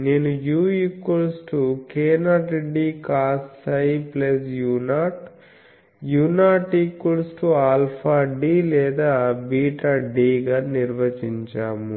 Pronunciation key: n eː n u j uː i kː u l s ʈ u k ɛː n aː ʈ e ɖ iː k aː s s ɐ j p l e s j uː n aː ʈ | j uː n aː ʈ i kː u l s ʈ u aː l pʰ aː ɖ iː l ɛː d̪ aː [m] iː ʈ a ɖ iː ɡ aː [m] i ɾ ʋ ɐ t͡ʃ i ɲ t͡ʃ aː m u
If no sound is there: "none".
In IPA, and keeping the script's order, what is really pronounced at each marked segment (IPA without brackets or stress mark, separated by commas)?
b, n